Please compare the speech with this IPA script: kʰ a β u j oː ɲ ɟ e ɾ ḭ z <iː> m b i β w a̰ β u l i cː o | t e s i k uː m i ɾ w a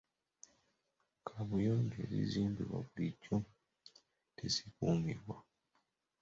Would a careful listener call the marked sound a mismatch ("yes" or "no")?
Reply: no